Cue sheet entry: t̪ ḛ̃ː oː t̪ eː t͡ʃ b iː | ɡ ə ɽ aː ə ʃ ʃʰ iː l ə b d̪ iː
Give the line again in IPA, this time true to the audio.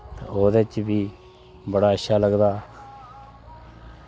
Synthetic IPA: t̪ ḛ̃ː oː d̪ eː t͡ʃ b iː | b ə ɽ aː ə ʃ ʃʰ aː l ə ɡ d̪ aː